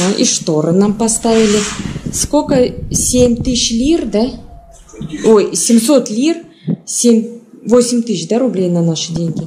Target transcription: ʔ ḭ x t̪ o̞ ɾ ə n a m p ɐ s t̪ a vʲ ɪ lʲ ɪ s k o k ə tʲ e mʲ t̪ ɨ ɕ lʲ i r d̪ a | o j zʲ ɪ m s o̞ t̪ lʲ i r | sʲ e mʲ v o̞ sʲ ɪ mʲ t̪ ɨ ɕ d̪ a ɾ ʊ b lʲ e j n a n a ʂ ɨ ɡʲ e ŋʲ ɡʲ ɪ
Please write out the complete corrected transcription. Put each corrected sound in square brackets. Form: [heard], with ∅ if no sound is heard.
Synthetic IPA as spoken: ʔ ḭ [ʂ] t̪ o̞ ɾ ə n a m p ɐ s t̪ a vʲ ɪ lʲ ɪ s k o k ə [sʲ] e mʲ t̪ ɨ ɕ lʲ i r d̪ a | o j [sʲ] ɪ m s o̞ t̪ lʲ i r | sʲ e mʲ v o̞ sʲ ɪ mʲ t̪ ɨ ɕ d̪ a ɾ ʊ b lʲ e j n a n a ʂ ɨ [dʲ] e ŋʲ ɡʲ ɪ